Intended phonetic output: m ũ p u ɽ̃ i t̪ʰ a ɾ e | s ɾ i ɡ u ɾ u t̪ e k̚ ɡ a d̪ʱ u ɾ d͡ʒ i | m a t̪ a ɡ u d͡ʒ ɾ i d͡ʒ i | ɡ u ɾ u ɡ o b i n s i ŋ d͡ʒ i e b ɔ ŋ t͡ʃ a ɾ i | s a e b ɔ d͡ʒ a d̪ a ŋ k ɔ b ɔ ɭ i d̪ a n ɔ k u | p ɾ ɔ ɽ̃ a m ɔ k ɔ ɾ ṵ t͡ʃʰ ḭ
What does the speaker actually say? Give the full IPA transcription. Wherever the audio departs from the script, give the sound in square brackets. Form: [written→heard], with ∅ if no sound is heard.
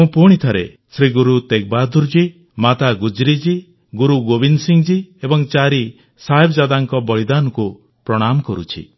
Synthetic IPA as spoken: m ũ p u ɽ̃ i t̪ʰ a ɾ e | s ɾ i ɡ u ɾ u t̪ e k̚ [ɡ→b] a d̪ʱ u ɾ d͡ʒ i | m a t̪ a ɡ u d͡ʒ ɾ i d͡ʒ i | ɡ u ɾ u ɡ o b i n s i ŋ d͡ʒ i e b ɔ ŋ t͡ʃ a ɾ i | s a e b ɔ d͡ʒ a d̪ a ŋ k ɔ b ɔ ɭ i d̪ a n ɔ k u | p ɾ ɔ ɽ̃ a m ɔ k ɔ ɾ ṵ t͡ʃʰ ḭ

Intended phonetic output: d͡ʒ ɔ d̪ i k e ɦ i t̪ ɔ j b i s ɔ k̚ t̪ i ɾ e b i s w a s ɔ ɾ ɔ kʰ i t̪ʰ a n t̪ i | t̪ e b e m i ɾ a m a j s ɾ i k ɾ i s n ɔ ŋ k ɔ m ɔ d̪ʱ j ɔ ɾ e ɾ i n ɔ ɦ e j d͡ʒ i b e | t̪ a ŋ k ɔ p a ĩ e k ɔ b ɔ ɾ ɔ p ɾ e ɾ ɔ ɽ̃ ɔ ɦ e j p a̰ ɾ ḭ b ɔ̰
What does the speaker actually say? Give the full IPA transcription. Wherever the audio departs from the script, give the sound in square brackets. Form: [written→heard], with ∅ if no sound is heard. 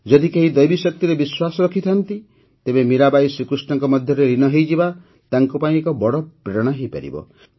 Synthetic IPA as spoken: d͡ʒ ɔ d̪ i k e ɦ i [t̪→d̪] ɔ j b i s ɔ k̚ t̪ i ɾ e b i s w a s ɔ ɾ ɔ kʰ i t̪ʰ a n t̪ i | t̪ e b e m i ɾ a [m→b] a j s ɾ i k ɾ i s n ɔ ŋ k ɔ m ɔ d̪ʱ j ɔ ɾ e ɾ i n ɔ ɦ e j d͡ʒ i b [e→a] | t̪ a ŋ k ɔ p a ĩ e k ɔ b ɔ [ɾ→ɽ] ɔ p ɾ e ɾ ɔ ɽ̃ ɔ ɦ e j p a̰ ɾ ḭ b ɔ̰

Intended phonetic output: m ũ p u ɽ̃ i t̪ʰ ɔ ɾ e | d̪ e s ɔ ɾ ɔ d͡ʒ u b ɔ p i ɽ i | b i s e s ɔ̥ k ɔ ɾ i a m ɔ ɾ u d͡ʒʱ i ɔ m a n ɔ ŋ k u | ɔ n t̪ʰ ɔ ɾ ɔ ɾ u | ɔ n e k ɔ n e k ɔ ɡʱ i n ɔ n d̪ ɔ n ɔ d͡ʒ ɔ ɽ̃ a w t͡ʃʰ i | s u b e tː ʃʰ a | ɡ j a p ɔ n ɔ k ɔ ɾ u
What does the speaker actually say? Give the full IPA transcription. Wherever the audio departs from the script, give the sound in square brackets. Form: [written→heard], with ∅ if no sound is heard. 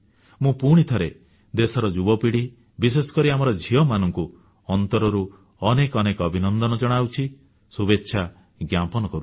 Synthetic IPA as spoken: m ũ p u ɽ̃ i t̪ʰ ɔ ɾ e | d̪ e s ɔ ɾ ɔ d͡ʒ u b ɔ p i ɽ i | b i s e s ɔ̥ k ɔ ɾ i a m ɔ ɾ [u→ɔ] d͡ʒʱ i ɔ m a n ɔ ŋ k u | ɔ n [t̪ʰ→t̪] ɔ ɾ ɔ ɾ u | ɔ n e k ɔ n e k ɔ [ɡʱ→bʱ] i n ɔ n d̪ ɔ n ɔ d͡ʒ ɔ ɽ̃ a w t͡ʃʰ i | s u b e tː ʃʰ a | ɡ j a p ɔ n ɔ k ɔ ɾ u

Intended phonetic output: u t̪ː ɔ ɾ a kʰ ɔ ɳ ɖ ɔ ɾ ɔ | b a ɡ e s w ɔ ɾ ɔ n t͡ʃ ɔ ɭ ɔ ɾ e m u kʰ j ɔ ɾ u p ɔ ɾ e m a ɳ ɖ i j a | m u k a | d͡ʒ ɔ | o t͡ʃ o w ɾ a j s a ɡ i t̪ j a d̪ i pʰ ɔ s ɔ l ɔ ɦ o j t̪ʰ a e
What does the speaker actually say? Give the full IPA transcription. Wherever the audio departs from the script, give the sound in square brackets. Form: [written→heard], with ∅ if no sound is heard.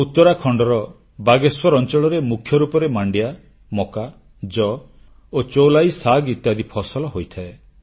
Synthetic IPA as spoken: u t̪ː ɔ ɾ a kʰ ɔ ɳ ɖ ɔ ɾ ɔ | b a ɡ e s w ɔ ɾ ɔ n t͡ʃ ɔ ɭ ɔ ɾ e m u kʰ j ɔ ɾ u p ɔ ɾ e m a ɳ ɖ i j a | m [u→ɔ] k a | d͡ʒ ɔ | o t͡ʃ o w [ɾ→l] a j s a ɡ i t̪ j a d̪ i pʰ ɔ s ɔ l ɔ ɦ o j t̪ʰ a e

